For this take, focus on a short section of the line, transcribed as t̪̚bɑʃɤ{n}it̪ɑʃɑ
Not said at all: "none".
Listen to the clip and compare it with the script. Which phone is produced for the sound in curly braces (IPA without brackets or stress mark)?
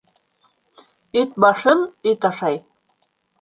n